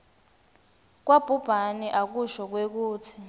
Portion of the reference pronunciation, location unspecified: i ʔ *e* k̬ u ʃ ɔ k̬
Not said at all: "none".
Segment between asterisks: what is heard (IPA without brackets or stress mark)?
a